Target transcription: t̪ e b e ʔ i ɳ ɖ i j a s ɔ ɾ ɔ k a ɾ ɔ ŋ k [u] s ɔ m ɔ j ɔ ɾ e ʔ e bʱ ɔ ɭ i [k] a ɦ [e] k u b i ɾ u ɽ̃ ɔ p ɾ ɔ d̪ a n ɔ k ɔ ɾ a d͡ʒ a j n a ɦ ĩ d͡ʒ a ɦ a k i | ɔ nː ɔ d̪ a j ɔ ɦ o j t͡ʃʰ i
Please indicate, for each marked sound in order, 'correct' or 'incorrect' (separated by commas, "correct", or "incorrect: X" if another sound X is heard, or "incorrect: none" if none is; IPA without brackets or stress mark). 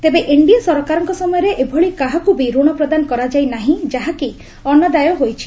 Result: incorrect: ɔ, correct, incorrect: a